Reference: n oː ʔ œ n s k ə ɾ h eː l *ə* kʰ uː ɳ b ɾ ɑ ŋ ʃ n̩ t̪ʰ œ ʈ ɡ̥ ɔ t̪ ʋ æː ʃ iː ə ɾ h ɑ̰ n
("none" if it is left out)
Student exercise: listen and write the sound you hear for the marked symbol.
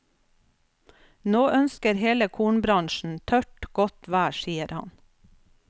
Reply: ə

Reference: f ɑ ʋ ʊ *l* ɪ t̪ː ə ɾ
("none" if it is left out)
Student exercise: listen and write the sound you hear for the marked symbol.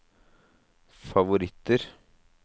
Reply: ɾ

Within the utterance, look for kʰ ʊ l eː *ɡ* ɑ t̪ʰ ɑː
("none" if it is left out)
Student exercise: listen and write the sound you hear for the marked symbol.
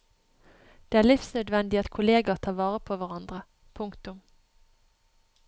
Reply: ɡ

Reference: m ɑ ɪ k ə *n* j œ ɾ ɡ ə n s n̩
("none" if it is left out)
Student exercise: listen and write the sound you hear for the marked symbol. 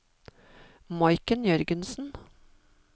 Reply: n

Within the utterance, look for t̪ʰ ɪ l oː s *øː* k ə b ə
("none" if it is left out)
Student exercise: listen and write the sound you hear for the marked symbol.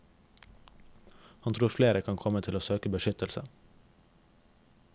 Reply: øː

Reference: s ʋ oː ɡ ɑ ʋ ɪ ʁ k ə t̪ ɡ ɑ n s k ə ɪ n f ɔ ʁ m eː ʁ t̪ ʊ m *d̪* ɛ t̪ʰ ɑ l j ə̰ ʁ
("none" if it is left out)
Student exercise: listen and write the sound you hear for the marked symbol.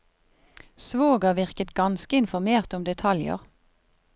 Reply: d̪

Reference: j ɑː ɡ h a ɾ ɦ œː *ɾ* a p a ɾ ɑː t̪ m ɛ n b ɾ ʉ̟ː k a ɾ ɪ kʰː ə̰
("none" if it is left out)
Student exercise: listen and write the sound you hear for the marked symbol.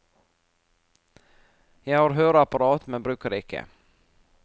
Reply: ɾ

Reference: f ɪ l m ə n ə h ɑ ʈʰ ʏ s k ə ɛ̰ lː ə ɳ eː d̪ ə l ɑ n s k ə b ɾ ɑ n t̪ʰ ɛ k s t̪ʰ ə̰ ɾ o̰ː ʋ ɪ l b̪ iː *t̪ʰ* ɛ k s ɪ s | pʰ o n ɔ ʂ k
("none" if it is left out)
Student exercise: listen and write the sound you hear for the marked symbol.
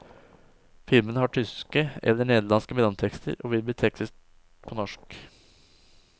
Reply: t̪ʰ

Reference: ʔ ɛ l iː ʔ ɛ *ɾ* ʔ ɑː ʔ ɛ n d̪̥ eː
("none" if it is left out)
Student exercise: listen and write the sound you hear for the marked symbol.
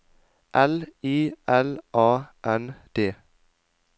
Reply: l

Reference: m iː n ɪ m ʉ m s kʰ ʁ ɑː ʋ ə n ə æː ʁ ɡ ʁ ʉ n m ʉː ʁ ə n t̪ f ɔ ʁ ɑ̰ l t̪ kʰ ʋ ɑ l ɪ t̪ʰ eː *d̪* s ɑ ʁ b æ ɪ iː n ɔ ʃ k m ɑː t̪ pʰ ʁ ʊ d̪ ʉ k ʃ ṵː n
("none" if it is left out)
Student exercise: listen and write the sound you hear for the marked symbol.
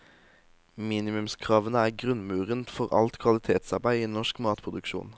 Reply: t̪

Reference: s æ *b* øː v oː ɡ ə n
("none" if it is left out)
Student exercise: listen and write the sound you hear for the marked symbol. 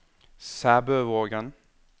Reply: b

